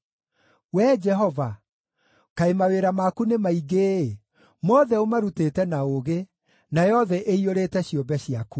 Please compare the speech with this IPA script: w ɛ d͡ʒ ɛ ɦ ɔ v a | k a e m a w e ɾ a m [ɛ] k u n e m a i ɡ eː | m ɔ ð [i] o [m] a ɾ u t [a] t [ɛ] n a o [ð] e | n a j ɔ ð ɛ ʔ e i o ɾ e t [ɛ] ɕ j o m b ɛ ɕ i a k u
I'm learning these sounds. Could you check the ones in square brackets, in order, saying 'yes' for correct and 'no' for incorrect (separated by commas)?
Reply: no, no, yes, no, yes, no, yes